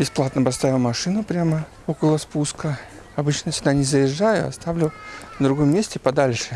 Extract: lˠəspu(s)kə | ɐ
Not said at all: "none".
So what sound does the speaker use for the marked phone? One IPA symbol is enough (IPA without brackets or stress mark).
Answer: s